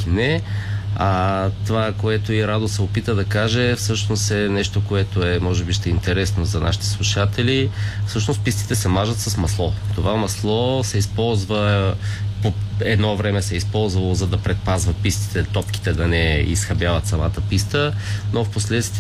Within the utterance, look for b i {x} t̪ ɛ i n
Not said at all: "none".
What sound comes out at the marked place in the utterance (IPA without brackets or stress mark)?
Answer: ʃ